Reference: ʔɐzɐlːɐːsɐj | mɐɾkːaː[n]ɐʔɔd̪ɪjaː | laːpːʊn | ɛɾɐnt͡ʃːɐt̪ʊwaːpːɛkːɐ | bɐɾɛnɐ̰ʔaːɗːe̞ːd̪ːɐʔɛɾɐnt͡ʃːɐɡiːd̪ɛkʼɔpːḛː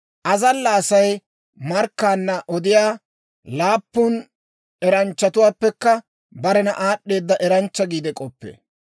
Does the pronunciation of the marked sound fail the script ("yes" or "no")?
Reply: yes